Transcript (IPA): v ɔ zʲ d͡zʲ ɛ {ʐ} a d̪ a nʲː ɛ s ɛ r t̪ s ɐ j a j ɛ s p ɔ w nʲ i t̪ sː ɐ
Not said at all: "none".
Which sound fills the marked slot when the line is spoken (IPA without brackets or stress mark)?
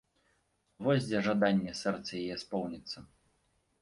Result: ʐ